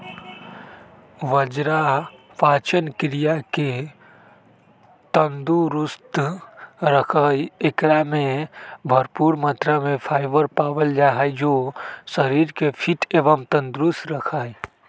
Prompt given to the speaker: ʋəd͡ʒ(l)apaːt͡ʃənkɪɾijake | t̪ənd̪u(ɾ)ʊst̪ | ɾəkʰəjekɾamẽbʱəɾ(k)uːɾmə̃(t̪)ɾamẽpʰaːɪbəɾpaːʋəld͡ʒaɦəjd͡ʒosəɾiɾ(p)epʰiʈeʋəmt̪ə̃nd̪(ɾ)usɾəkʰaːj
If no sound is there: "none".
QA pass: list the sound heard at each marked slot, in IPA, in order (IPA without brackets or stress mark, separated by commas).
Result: ɾ, ɾ, p, t̪, k, ɾ